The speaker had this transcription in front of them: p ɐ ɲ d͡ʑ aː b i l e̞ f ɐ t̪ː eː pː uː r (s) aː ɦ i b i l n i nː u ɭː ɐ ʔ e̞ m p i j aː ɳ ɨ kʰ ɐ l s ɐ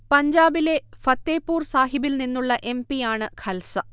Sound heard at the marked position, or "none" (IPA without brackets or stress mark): s